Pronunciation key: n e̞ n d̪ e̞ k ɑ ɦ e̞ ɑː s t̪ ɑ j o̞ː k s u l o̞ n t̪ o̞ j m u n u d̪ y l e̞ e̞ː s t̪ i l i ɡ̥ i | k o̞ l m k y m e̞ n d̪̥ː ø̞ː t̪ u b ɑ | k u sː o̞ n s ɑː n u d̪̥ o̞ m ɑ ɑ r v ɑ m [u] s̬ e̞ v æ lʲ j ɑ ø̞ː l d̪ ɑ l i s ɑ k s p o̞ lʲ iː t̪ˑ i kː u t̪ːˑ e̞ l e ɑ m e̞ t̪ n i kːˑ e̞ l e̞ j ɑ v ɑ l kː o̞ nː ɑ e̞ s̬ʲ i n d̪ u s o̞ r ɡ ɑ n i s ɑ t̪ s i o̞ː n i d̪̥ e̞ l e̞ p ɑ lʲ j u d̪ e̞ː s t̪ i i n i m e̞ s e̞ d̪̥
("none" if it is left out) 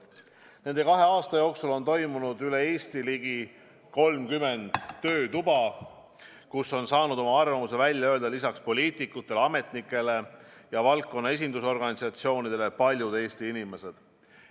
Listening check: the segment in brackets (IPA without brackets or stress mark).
u